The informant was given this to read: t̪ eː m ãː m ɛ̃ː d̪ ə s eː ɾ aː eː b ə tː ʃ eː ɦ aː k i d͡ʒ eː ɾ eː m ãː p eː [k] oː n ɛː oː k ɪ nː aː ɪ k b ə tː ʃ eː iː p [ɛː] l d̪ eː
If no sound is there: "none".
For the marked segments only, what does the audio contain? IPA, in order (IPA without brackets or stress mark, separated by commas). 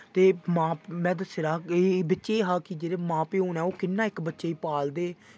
none, aː